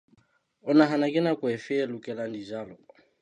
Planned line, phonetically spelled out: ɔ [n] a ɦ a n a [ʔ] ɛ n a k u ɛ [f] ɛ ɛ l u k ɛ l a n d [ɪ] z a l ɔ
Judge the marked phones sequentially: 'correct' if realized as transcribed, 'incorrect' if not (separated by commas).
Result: correct, incorrect, correct, incorrect